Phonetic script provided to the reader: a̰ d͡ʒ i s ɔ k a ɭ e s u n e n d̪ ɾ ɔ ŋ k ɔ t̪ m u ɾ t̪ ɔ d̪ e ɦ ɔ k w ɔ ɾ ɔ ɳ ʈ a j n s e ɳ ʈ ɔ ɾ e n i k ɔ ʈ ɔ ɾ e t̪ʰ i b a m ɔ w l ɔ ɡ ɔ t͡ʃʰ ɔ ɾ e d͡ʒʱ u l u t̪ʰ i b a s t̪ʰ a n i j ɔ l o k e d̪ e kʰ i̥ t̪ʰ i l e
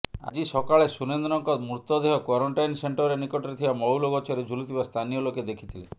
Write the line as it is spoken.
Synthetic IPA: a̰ d͡ʒ i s ɔ k a ɭ e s u n e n d̪ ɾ ɔ ŋ k ɔ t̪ m u ɾ t̪ ɔ d̪ e ɦ ɔ k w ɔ ɾ ɔ ɳ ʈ a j n s e ɳ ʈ ɔ ɾ e n i k ɔ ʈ ɔ ɾ e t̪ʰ i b a m ɔ w l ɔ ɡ ɔ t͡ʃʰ ɔ ɾ e d͡ʒʱ u l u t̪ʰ i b a s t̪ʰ a n i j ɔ l o k e d̪ e kʰ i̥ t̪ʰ i l e